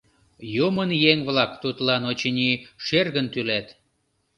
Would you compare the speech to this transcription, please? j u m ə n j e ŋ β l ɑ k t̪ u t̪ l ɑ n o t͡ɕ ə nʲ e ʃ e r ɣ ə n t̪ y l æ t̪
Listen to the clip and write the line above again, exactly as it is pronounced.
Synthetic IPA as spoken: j u m ə n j e ŋ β l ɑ k t̪ u t̪ l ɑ n o t͡ɕ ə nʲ i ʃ e r ɣ ə n t̪ y l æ t̪